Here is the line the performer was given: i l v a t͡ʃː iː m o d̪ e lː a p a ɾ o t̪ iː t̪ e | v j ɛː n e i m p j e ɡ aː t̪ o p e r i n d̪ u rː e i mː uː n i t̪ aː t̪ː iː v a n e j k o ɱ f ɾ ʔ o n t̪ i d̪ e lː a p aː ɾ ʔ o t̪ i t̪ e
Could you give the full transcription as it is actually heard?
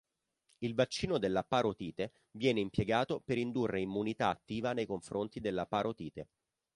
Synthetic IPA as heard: i l v a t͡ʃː iː n o d̪ e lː a p a ɾ o t̪ iː t̪ e | v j ɛː n e i m p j e ɡ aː t̪ o p e ɾ i n d̪ u rː e i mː u n i t̪ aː t̪ː iː v a n e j k o ɱ f ɾ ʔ o n t̪ i d̪ e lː a p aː ɾ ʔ o t̪ iː t̪ e